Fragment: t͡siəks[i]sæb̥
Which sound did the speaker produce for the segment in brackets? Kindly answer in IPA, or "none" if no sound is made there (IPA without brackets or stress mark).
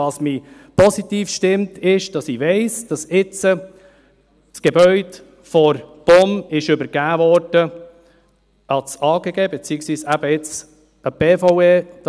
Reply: iː